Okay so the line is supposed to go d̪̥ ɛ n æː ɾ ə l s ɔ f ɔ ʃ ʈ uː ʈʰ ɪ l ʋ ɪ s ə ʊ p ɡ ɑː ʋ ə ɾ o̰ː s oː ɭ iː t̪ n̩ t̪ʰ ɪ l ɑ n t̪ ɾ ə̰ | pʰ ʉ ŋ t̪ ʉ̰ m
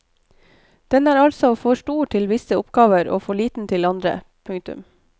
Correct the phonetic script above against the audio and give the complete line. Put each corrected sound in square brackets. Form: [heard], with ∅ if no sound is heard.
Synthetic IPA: d̪̥ ɛ n æː ɾ [ɑ] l s ɔ f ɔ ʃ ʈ uː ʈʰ ɪ l ʋ ɪ s ə ʊ p ɡ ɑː ʋ ə ɾ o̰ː [f] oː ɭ iː t̪ n̩ t̪ʰ ɪ l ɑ n [d̪] ɾ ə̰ | pʰ ʉ ŋ t̪ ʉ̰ m